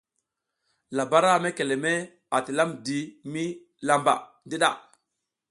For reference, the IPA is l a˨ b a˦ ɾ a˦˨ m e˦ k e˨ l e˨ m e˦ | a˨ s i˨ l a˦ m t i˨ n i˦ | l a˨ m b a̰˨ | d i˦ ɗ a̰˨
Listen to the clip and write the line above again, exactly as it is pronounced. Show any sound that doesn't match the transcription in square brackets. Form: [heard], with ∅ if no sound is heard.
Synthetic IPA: l a˨ b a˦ ɾ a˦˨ m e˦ k e˨ l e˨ m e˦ | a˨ [t] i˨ l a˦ m [d] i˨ [m] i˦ | l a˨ m b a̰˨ | d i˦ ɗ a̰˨